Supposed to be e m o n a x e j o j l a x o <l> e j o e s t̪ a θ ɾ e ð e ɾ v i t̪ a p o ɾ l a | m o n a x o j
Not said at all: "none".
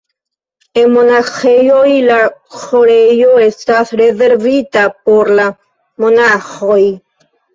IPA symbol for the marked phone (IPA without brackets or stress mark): ɾ